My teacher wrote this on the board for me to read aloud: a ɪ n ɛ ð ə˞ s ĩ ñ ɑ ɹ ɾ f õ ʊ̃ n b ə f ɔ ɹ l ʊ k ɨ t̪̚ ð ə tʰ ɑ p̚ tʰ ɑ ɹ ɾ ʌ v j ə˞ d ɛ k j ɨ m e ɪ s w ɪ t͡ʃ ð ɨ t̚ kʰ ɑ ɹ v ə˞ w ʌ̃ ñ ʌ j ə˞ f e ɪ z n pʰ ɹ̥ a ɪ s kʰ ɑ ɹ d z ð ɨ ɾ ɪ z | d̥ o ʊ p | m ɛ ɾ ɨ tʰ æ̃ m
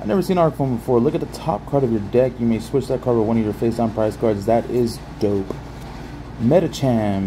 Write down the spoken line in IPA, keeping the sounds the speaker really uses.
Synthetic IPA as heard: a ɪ n ɛ v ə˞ s ĩ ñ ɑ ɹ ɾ f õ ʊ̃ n b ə f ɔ ɹ l ʊ k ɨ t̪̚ ð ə tʰ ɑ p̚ kʰ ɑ ɹ ɾ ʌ v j ə˞ d ɛ k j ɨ m e ɪ s w ɪ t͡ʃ ð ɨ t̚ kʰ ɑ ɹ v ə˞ w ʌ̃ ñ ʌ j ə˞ f e ɪ s n pʰ ɹ̥ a ɪ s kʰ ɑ ɹ d z ð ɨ ɾ ɪ z | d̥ o ʊ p | m ɛ ɾ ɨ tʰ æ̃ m